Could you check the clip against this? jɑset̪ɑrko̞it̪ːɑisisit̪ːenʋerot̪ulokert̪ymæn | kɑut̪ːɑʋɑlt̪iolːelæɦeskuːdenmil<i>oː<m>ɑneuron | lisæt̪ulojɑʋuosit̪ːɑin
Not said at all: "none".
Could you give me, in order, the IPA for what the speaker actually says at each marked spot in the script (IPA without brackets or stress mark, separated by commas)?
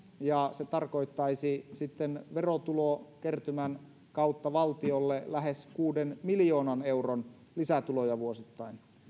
j, n